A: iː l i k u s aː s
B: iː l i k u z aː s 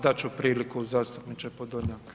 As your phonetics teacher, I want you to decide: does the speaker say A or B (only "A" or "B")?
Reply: B